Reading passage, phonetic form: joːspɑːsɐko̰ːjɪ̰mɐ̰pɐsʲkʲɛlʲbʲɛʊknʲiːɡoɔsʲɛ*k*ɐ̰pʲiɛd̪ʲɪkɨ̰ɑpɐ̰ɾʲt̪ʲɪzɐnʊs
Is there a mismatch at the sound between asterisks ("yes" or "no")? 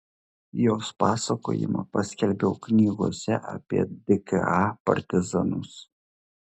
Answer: yes